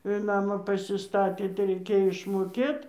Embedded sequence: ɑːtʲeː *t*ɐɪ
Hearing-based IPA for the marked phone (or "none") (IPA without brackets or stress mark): t